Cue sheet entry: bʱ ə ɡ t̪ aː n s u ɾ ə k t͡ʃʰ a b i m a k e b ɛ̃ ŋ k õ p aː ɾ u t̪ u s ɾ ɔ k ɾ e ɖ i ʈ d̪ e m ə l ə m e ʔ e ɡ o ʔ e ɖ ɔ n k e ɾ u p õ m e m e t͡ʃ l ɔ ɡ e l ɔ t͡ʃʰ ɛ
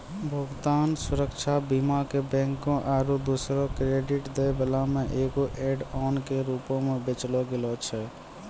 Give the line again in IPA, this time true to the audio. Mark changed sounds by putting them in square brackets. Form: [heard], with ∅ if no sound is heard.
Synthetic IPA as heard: bʱ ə ɡ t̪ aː n s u ɾ ə k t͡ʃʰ a b i m a k e b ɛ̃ ŋ k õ [ʔ] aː ɾ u [d̪] u s ɾ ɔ k ɾ e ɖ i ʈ d̪ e [b] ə l [a] m e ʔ e ɡ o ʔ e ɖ ɔ n k e ɾ u p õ m e [b] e t͡ʃ l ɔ ɡ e l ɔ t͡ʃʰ ɛ